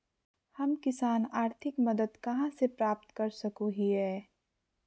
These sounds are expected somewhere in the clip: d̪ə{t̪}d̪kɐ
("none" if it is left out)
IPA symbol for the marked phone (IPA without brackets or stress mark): none